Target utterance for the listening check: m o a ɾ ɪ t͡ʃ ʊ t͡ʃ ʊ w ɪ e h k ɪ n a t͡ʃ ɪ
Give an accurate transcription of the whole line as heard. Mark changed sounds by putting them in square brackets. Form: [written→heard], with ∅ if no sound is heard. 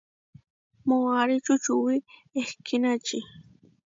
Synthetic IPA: m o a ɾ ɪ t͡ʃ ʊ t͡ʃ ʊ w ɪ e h k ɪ n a t͡ʃ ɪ

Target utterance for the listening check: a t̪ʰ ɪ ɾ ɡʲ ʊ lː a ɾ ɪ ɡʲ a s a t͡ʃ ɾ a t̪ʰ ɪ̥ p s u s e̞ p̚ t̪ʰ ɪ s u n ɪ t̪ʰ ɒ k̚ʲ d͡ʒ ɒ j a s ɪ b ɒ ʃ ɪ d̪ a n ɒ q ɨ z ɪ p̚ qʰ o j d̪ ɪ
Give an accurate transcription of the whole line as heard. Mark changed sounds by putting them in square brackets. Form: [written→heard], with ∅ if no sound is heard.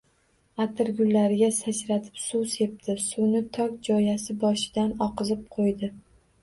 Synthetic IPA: a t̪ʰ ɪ ɾ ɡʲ ʊ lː a ɾ ɪ ɡʲ a s a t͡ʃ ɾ a t̪ʰ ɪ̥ p s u s e̞ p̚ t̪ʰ ɪ s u n ɪ t̪ʰ ɒ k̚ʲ d͡ʒ ɒ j a s ɪ b ɒ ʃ ɪ d̪ a n ɒ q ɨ z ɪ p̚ qʰ o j d̪ ɪ

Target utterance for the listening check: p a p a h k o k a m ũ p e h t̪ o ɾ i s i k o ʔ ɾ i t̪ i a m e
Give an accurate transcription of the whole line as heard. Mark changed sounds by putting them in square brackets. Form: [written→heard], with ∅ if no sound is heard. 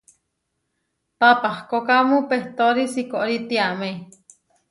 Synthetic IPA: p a p a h k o k a m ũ p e h t̪ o ɾ i s i k o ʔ ɾ i t̪ i a m e

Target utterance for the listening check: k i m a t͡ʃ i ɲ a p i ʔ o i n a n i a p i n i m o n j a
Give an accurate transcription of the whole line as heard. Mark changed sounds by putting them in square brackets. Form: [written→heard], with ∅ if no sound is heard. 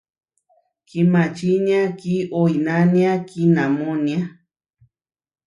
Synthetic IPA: k i m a t͡ʃ i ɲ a [p→k] i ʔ o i n a n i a [p→k] i n [i→a] m o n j a

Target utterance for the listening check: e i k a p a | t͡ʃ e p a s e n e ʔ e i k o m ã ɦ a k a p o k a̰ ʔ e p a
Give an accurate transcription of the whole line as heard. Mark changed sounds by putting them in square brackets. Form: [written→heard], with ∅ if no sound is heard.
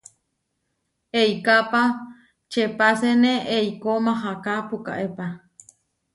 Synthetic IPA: e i k a p a | t͡ʃ e p a s e n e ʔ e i k o m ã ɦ a k a p [o→u] k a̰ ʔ e p a

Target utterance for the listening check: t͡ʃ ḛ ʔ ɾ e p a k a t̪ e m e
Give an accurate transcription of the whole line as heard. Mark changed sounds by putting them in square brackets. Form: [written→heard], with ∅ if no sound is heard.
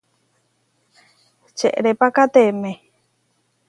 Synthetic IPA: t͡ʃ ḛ ʔ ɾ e p a k a t̪ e m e

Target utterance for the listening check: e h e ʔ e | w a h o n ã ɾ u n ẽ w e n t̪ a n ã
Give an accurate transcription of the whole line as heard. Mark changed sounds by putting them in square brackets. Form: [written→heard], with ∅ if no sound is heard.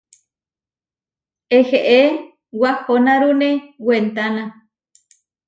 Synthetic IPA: e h e ʔ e | w a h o n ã ɾ u n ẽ w e n t̪ a n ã

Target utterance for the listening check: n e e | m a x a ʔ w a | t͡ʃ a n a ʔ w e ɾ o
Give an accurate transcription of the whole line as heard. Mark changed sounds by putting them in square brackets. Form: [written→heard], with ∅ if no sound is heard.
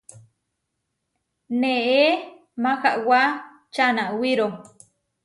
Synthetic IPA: n e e | m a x a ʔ w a | t͡ʃ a n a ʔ w [e→i] ɾ o

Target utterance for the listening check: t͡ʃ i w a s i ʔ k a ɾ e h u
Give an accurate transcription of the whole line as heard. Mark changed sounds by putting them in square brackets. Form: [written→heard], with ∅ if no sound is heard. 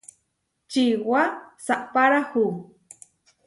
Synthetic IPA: t͡ʃ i w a s [i→a] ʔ [k→p] a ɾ [e→a] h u

